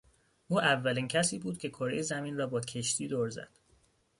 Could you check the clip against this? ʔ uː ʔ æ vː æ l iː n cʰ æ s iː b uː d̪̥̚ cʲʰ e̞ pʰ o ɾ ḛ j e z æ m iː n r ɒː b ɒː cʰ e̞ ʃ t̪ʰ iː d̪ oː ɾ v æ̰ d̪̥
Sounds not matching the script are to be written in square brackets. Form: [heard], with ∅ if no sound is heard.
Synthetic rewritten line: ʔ uː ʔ æ vː æ l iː n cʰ æ s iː b uː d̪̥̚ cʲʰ e̞ [kʰ] o ɾ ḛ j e z æ m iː n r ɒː b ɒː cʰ e̞ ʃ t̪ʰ iː d̪ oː ɾ [z] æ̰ d̪̥

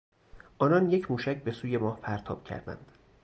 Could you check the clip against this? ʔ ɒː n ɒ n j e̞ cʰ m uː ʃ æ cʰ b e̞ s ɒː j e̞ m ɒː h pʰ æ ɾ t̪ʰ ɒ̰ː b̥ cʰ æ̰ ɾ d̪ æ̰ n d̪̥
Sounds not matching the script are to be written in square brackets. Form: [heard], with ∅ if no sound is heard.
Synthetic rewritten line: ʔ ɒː n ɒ n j e̞ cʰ m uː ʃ æ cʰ b e̞ s [uː] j e̞ m ɒː h pʰ æ ɾ t̪ʰ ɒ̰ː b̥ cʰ æ̰ ɾ d̪ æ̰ n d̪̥

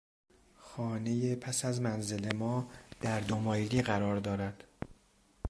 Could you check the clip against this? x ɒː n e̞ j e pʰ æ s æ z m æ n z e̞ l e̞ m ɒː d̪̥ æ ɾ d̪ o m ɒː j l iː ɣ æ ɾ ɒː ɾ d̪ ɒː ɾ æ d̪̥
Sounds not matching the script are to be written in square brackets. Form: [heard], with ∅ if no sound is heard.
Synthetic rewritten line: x ɒː n e̞ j e pʰ æ s æ z m æ n z e̞ l e̞ m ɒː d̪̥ æ ɾ d̪ o m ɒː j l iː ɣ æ ɾ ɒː ɾ d̪ ɒː ɾ æ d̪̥

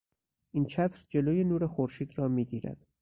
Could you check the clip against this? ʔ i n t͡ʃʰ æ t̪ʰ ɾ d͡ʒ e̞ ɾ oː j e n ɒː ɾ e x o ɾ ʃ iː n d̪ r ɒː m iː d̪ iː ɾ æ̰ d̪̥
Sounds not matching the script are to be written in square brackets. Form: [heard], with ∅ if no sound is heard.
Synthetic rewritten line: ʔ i n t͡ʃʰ æ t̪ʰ ɾ d͡ʒ e̞ [l] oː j e n [uː] ɾ e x o ɾ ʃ iː [∅] d̪ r ɒː m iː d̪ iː ɾ æ̰ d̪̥

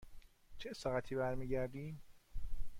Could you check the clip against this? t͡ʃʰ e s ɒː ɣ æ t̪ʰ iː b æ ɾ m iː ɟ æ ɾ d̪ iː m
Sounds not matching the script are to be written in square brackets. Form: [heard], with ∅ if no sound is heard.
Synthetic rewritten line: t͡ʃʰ e s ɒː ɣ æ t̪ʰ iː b æ ɾ m iː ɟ æ ɾ d̪ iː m

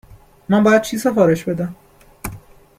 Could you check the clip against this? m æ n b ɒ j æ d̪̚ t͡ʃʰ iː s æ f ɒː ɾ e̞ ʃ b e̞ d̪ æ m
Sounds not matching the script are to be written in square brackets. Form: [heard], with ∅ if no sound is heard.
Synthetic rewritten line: m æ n b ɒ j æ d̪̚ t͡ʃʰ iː s [e] f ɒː ɾ e̞ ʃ b e̞ d̪ æ m

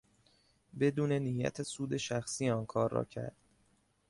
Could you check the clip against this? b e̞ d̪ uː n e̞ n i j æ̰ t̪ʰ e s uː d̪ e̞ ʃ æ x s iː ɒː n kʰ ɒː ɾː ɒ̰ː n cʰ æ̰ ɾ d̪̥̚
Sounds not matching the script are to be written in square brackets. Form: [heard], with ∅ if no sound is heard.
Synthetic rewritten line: b e̞ d̪ uː n e̞ n i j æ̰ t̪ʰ e s uː d̪ e̞ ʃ æ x s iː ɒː n kʰ ɒː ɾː ɒ̰ː [∅] cʰ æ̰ ɾ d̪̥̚

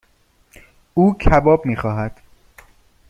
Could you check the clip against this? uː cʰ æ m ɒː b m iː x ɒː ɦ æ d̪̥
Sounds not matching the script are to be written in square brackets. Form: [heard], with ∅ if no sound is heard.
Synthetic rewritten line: uː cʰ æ [b] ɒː b m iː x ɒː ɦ æ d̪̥

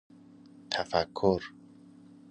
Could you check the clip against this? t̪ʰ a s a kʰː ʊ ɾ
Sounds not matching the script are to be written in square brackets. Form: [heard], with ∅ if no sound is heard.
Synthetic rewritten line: t̪ʰ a [f] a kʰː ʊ ɾ

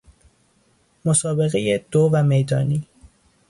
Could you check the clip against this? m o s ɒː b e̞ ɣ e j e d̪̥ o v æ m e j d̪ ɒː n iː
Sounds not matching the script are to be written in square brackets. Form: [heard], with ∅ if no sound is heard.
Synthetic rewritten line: m o s ɒː b e̞ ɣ e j e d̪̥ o v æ m e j d̪ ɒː n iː

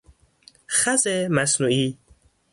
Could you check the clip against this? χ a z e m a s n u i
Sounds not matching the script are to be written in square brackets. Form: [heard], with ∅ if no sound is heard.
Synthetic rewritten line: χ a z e m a s n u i

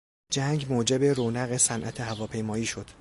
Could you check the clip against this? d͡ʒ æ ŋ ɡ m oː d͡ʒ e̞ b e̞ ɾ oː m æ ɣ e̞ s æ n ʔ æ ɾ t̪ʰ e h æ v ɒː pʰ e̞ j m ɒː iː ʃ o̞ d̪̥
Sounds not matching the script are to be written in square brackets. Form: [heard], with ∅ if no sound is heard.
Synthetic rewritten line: d͡ʒ æ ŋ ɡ m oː d͡ʒ e̞ b e̞ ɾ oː [n] æ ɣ e̞ s æ n ʔ æ [∅] t̪ʰ e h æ v ɒː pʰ e̞ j m ɒː iː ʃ o̞ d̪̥

